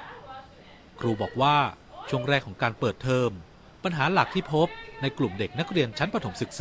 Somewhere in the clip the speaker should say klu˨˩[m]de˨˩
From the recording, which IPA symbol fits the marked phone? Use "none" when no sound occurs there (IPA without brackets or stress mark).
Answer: m